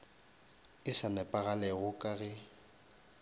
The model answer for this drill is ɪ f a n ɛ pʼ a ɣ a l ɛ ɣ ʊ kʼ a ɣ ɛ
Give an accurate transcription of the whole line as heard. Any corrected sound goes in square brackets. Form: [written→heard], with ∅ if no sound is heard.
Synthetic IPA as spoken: ɪ [f→s] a n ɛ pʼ a ɣ a l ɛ ɣ ʊ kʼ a ɣ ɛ